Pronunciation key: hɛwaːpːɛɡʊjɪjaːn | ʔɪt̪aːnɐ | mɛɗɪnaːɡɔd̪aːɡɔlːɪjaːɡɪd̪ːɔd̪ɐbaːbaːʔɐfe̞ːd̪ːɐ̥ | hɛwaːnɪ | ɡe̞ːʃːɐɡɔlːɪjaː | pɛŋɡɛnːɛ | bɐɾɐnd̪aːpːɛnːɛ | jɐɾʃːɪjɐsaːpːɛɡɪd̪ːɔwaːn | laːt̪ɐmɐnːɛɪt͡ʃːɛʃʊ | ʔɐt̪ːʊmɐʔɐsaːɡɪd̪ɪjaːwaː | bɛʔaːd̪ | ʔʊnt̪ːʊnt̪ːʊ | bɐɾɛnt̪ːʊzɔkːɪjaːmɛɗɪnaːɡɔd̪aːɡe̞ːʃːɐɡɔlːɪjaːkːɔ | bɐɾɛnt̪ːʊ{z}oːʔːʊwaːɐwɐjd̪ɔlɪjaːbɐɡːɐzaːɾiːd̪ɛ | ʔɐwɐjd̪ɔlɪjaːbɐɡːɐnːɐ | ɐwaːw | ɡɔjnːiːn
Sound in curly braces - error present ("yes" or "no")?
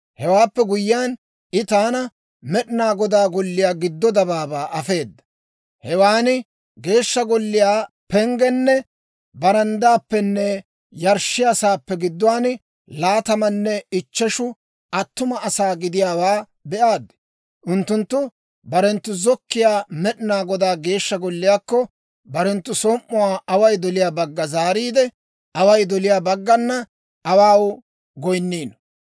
yes